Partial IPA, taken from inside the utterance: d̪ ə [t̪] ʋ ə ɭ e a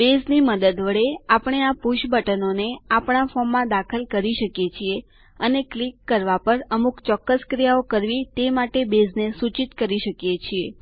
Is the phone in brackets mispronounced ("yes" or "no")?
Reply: yes